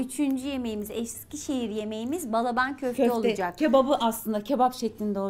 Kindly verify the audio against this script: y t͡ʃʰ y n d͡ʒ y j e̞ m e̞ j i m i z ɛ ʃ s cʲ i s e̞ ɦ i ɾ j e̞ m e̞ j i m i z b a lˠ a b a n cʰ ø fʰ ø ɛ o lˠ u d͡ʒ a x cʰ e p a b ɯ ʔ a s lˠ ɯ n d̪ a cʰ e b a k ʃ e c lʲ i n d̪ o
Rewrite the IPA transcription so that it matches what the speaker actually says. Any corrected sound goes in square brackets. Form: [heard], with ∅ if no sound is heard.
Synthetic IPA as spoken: y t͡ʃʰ y n d͡ʒ y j e̞ m e̞ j i m i z ɛ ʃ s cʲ i [ʃ] e̞ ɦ i ɾ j e̞ m e̞ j i m i z b a lˠ a b a n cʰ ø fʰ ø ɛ o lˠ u d͡ʒ a [k] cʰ e [b] a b ɯ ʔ a s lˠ ɯ n d̪ a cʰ e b a [p] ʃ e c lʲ i n d̪ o